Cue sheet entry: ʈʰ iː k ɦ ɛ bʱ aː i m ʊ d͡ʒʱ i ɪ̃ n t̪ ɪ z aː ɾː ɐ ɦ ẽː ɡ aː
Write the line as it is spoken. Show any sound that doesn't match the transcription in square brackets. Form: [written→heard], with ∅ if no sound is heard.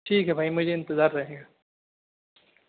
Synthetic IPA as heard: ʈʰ iː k ɦ ɛ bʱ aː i m ʊ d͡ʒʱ [i→e] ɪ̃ n t̪ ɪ z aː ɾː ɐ ɦ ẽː ɡ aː